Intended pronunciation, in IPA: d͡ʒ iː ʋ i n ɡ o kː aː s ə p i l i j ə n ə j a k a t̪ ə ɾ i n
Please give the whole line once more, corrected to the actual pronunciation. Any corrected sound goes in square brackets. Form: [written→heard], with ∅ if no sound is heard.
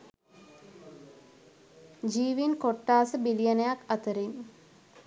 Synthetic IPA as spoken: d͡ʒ iː ʋ i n [ɡ→k] o [kː→ʈː] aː s ə [p→b] i l i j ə n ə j a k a t̪ ə ɾ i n